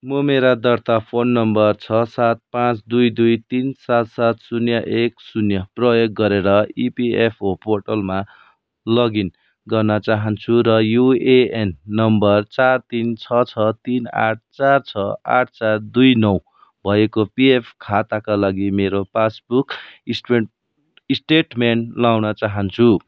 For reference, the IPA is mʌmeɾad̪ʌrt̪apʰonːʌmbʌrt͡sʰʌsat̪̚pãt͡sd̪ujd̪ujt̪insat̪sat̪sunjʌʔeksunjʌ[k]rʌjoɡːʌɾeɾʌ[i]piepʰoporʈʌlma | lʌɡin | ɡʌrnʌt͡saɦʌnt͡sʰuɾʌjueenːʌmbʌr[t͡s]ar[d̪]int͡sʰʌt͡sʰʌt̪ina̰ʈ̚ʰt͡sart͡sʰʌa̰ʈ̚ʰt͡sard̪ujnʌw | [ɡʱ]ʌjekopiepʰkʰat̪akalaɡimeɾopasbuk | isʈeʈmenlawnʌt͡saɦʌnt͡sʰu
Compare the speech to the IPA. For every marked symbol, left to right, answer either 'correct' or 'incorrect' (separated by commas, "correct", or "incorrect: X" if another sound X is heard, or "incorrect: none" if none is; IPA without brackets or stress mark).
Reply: incorrect: p, correct, correct, incorrect: t̪, incorrect: bʱ